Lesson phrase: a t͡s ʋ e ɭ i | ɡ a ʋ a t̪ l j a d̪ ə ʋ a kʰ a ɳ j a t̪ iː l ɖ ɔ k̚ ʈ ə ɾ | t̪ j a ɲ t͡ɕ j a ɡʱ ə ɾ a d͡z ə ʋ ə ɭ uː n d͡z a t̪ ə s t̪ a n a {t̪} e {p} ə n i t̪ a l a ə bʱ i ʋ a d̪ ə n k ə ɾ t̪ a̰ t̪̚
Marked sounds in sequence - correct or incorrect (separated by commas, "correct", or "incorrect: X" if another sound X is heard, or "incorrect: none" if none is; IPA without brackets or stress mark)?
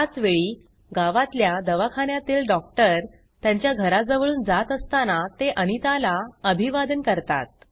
correct, incorrect: ʔ